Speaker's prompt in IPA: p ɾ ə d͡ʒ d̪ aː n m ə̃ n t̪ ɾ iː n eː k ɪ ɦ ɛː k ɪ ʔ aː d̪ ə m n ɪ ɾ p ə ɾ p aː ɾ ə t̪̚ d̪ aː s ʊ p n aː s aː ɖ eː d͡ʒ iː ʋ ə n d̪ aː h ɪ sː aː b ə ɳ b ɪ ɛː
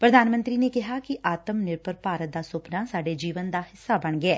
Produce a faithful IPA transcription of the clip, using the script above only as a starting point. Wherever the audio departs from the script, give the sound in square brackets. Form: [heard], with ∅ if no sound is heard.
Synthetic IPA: p ɾ ə [∅] d̪ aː n m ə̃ n t̪ ɾ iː n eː k ɪ ɦ [aː] k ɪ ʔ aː [t̪] ə m n ɪ ɾ p ə ɾ p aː ɾ ə t̪̚ d̪ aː s ʊ p n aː s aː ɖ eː d͡ʒ iː ʋ ə n d̪ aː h ɪ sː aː b ə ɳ [ɡ] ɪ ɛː